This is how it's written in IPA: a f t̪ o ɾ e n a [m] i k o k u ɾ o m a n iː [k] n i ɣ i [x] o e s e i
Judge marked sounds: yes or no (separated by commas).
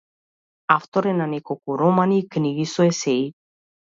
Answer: no, yes, no